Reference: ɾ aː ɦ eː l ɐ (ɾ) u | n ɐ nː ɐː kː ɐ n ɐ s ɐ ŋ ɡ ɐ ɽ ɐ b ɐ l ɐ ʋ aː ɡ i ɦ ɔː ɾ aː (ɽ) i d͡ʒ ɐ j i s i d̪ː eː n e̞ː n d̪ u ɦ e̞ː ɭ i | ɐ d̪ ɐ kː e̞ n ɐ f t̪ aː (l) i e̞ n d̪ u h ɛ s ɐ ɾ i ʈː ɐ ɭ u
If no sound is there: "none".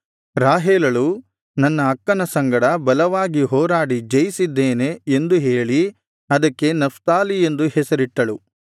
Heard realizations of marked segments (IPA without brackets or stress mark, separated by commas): ɭ, ɽ, l